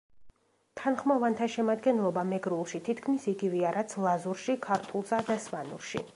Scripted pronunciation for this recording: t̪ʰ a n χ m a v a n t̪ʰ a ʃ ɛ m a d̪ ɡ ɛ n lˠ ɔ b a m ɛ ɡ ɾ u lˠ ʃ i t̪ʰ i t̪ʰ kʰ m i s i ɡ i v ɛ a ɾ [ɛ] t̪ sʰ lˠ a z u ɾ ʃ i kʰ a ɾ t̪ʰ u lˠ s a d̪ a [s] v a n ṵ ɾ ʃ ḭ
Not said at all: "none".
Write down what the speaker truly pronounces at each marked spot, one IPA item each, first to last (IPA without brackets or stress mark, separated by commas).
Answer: a, s